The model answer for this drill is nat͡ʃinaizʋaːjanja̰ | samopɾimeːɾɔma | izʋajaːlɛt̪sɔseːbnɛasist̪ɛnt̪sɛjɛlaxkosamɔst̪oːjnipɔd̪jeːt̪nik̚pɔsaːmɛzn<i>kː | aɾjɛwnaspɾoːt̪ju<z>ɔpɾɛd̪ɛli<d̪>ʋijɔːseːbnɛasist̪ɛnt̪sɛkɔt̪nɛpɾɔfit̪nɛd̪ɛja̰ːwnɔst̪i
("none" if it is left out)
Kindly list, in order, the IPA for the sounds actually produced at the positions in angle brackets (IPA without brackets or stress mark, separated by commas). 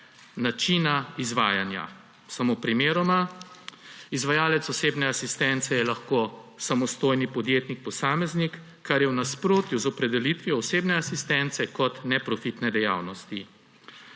i, z, t̪